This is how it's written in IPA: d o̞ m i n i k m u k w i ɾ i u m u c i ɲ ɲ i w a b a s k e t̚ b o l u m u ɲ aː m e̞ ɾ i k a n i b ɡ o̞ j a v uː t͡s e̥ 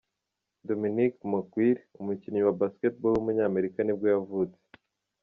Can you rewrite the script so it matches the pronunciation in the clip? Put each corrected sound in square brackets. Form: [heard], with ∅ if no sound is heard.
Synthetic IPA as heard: d o̞ m i n i k m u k w i ɾ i u m u c i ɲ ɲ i w a b a s k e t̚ b o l u m u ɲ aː m e̞ ɾ i k a n i b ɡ o̞ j a v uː t͡s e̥